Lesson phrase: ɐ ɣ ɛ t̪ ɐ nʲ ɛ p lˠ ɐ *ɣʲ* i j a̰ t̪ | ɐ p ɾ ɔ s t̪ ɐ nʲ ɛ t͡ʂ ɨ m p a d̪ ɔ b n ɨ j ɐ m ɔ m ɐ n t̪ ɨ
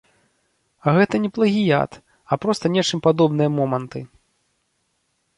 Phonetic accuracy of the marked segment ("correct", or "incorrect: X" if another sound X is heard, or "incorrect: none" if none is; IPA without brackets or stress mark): correct